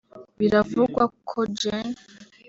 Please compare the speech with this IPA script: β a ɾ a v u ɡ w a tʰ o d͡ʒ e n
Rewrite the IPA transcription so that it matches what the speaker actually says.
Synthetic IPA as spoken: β i ɾ a v u ɡ w a kʰ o d͡ʒ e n